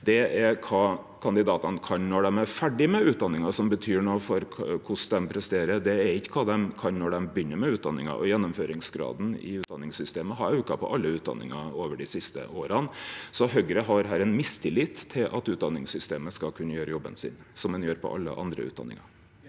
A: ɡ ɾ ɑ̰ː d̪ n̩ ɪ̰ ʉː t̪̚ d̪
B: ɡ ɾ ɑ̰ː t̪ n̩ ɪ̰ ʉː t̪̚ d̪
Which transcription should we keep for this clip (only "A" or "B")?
A